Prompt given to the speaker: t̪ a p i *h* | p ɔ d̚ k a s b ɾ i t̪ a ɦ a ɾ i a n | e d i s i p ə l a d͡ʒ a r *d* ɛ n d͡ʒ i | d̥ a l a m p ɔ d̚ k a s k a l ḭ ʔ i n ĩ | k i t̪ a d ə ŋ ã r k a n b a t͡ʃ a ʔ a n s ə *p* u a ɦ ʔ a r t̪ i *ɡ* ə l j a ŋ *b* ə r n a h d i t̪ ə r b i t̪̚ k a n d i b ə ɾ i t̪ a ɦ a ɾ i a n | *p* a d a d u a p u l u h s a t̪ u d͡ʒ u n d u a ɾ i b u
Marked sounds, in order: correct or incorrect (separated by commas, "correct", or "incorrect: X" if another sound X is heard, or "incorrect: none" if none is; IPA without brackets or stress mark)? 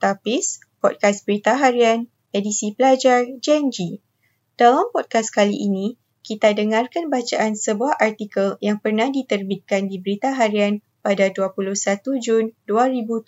incorrect: s, incorrect: d͡ʒ, incorrect: b, incorrect: k, incorrect: p, correct